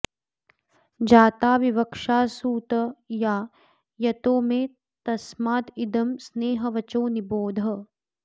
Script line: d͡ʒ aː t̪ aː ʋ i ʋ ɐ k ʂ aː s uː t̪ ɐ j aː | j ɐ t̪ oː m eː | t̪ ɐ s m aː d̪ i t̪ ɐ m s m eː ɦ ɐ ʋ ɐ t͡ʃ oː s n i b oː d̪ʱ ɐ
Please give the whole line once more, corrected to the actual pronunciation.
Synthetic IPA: d͡ʒ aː t̪ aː ʋ i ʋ ɐ k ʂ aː s uː t̪ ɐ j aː | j ɐ t̪ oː m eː | t̪ ɐ s m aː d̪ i d̪ ɐ m s n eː ɦ ɐ ʋ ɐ t͡ʃ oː n i b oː d̪ʱ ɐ